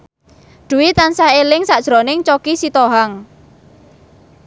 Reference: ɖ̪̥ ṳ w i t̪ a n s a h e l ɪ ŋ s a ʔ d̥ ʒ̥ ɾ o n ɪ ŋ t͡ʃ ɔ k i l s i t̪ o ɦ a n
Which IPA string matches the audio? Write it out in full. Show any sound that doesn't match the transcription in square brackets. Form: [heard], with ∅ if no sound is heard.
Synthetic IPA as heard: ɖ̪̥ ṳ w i t̪ a n s a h e l ɪ ŋ s a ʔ d̥ ʒ̥ ɾ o n ɪ ŋ t͡ʃ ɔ k i [∅] s i t̪ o ɦ a [ŋ]